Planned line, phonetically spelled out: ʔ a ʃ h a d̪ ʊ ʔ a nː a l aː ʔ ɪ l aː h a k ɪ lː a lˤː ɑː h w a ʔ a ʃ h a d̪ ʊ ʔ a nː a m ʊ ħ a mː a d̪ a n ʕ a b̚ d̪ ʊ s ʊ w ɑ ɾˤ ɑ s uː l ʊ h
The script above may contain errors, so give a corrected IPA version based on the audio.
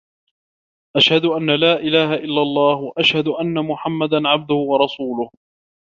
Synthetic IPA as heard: ʔ a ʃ h a d̪ ʊ ʔ a nː a l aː ʔ ɪ l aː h a ʔ ɪ lː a lˤː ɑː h w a ʔ a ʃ h a d̪ ʊ ʔ a nː a m ʊ ħ a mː a d̪ a n ʕ a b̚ d̪ ʊ h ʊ w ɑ ɾˤ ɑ s uː l ʊ h